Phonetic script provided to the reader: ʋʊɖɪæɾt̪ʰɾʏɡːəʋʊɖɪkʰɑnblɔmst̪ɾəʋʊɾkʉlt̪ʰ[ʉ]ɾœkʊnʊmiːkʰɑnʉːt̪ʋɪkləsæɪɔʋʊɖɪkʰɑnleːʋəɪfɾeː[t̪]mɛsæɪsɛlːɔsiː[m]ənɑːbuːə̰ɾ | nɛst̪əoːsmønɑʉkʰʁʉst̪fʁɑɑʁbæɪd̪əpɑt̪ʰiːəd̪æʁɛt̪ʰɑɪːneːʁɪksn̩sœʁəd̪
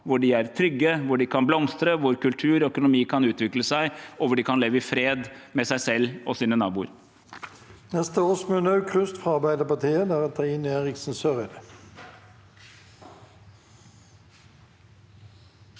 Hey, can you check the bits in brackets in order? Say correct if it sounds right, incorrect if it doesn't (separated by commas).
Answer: incorrect, incorrect, incorrect